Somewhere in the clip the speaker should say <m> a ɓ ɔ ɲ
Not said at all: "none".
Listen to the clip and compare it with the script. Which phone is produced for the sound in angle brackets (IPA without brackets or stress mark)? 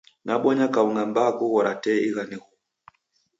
n